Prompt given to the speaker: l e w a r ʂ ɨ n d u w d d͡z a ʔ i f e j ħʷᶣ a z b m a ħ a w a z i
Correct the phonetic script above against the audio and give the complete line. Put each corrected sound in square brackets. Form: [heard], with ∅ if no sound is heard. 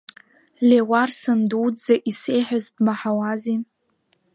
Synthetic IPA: l e w a r [s] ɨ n d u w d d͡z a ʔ i [s] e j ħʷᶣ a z b m a ħ a w a z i